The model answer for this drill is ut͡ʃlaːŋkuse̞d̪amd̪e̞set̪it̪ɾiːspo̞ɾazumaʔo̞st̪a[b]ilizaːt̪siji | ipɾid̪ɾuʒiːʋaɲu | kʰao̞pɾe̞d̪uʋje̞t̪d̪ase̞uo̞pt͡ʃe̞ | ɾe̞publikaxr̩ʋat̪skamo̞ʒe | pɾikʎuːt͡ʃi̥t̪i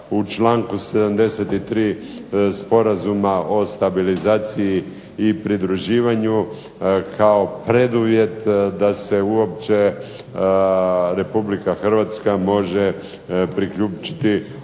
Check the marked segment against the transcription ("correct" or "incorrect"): correct